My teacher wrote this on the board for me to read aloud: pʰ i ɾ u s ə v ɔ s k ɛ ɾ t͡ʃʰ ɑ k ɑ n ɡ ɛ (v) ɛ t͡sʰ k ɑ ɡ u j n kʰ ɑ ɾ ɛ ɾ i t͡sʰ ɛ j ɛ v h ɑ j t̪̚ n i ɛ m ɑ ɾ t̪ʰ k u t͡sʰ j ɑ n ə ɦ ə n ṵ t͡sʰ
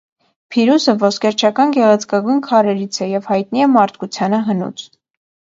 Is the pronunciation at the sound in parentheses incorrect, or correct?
incorrect